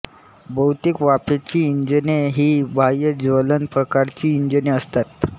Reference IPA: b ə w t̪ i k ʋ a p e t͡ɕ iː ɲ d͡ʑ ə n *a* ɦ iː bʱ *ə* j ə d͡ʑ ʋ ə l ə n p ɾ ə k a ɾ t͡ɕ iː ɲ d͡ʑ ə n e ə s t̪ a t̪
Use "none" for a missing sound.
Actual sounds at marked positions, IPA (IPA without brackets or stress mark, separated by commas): e, a